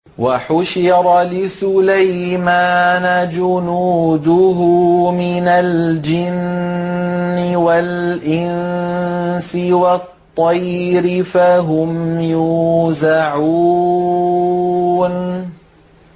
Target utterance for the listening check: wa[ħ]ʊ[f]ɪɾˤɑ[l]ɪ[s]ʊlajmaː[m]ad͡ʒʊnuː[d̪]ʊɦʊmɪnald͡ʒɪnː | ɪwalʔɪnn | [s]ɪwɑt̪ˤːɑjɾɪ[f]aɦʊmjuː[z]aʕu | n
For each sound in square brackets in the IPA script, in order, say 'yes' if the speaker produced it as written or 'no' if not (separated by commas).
yes, no, yes, yes, no, yes, yes, yes, yes